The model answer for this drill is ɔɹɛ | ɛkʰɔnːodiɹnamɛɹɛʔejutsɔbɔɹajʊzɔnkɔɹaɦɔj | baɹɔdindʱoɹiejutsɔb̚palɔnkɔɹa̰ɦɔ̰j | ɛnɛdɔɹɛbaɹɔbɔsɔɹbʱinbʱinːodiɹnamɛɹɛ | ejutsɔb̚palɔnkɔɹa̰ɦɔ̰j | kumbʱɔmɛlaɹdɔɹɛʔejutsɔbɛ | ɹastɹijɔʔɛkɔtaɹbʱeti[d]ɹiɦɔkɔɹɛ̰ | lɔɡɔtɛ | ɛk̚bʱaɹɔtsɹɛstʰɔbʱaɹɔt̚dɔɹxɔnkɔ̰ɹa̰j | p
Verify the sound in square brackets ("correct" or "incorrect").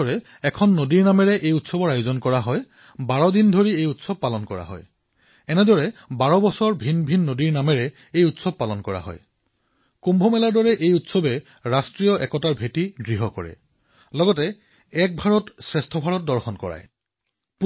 correct